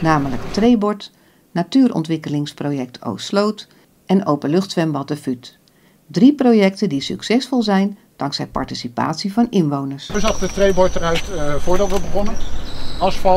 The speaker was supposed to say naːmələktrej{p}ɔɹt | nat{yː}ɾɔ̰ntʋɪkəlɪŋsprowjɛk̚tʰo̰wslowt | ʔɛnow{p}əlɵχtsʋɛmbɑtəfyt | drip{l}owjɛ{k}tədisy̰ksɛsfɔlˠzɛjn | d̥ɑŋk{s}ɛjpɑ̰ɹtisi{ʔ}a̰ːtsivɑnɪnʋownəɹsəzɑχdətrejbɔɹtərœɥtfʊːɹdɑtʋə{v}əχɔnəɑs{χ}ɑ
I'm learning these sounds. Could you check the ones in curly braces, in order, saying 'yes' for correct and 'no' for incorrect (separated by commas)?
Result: no, yes, yes, no, yes, yes, no, no, no